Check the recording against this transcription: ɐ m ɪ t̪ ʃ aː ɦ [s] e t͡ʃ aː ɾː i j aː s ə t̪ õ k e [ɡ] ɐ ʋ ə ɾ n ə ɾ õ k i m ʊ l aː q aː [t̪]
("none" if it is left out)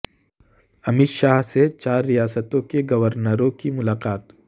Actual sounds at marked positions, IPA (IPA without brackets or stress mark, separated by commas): s, ɡ, t̪